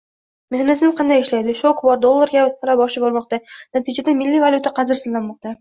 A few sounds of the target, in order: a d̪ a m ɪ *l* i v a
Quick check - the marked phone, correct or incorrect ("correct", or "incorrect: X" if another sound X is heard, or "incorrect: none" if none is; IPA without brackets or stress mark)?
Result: incorrect: lː